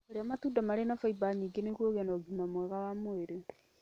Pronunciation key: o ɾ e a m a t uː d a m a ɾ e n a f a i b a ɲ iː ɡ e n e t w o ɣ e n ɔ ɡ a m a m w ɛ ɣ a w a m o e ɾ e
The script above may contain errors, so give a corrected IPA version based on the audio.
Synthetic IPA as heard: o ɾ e a m a t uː d a m a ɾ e n a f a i b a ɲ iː ɡ e n e k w o ɣ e n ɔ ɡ i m a m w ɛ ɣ a w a m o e ɾ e